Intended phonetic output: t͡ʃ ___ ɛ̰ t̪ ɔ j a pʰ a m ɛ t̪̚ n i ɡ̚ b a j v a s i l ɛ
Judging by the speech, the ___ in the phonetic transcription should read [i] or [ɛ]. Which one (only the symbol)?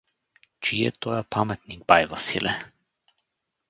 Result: i